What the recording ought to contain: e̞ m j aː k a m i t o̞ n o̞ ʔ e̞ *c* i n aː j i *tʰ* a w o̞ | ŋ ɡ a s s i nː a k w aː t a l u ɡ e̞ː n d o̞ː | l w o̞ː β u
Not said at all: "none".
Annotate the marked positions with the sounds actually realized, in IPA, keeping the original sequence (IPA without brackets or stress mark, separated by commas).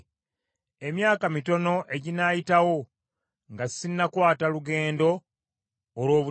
ɟ, t